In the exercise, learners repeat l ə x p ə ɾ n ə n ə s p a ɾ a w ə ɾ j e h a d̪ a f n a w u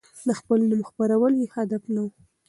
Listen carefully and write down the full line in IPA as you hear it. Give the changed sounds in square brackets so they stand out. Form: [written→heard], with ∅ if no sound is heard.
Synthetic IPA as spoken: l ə x p ə [ɾ→l] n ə [n→m] ə [s→x] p a ɾ a w ə [ɾ→l] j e h a d̪ a f n a w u